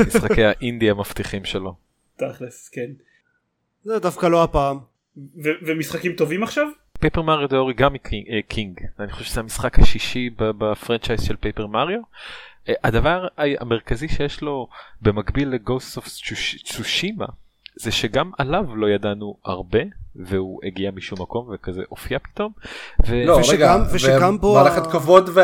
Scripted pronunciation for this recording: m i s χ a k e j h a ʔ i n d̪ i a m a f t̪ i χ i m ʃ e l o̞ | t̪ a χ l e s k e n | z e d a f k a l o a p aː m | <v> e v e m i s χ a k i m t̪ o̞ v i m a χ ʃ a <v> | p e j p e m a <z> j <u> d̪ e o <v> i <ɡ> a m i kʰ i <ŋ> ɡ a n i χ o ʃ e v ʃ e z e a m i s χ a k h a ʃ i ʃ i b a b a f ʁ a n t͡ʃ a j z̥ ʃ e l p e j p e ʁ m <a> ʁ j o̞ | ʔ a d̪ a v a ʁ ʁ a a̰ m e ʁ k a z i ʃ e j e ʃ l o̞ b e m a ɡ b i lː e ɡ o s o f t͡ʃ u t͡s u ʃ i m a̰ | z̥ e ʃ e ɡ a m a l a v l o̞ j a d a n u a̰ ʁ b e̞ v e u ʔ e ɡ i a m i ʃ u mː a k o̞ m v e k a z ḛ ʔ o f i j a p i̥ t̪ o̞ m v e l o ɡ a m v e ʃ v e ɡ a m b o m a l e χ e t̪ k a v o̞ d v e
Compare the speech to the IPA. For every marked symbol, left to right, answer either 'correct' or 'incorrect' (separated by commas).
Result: correct, correct, incorrect, incorrect, incorrect, correct, correct, correct